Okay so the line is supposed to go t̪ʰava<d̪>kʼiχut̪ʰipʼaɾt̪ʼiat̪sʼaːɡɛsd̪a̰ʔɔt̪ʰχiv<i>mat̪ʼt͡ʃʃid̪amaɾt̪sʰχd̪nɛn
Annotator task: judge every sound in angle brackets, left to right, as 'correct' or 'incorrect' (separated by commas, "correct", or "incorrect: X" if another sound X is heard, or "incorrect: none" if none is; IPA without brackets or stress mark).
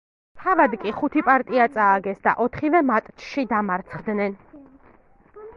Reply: correct, incorrect: ɛ